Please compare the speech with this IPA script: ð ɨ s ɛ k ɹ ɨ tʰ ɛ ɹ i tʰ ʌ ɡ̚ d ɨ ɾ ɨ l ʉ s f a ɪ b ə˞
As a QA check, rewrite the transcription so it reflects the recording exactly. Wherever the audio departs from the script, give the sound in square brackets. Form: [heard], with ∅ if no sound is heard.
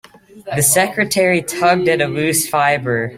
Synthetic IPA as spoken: ð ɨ s ɛ k ɹ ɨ tʰ ɛ ɹ i tʰ ʌ ɡ̚ d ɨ ɾ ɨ l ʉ s f a ɪ b ə˞